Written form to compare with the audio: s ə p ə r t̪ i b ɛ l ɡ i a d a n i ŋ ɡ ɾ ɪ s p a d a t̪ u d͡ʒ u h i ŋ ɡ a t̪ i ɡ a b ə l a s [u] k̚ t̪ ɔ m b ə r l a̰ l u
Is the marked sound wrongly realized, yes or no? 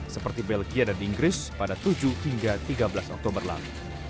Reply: yes